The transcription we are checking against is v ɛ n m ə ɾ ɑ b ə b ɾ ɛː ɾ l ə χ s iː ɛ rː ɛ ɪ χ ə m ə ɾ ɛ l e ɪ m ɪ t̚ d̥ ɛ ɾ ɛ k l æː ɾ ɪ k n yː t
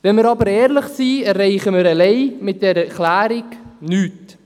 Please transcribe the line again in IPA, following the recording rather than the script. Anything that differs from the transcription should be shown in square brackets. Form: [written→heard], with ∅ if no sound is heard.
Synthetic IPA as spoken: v ɛ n m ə ɾ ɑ b ə [b→∅] ɾ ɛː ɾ l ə χ s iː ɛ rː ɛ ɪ χ ə m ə ɾ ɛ l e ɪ m ɪ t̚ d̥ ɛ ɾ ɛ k l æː ɾ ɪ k n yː t